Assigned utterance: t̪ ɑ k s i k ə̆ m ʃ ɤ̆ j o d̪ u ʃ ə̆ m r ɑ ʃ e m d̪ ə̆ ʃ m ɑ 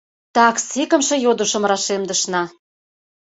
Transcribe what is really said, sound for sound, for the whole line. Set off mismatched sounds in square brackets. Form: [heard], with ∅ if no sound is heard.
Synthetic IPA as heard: t̪ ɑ k s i k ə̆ m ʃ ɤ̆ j o d̪ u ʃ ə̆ m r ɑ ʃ e m d̪ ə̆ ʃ [n] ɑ